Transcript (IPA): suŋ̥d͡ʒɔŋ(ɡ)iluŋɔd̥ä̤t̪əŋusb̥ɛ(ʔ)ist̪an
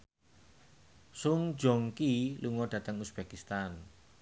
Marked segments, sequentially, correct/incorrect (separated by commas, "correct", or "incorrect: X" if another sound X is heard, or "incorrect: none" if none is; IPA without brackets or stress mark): incorrect: k, incorrect: k